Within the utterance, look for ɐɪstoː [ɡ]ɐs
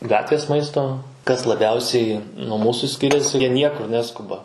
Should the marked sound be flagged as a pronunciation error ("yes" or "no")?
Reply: yes